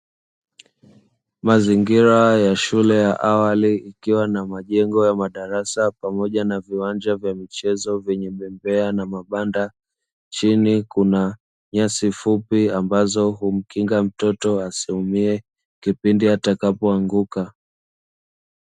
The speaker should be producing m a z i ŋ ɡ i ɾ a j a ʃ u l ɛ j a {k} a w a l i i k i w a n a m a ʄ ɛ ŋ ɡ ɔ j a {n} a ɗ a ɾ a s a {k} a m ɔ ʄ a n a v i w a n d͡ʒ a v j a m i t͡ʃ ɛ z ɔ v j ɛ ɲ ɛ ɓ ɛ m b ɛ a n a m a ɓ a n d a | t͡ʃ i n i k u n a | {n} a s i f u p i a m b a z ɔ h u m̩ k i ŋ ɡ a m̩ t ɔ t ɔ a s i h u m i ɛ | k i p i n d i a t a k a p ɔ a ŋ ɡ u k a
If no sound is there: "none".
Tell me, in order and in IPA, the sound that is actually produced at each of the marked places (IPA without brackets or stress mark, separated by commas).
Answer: ʔ, m, p, ɲ